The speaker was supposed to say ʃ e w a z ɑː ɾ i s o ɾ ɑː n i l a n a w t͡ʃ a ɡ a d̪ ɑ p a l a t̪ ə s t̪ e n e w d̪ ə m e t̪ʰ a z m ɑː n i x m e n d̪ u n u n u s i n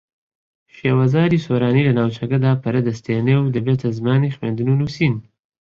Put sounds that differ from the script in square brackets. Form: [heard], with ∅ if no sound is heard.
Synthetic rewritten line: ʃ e w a z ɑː ɾ i s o ɾ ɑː n i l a n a w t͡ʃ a ɡ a d̪ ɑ p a [ɾ] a [d̪] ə s t̪ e n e w d̪ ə [b] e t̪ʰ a z m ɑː n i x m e n d̪ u n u n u s i n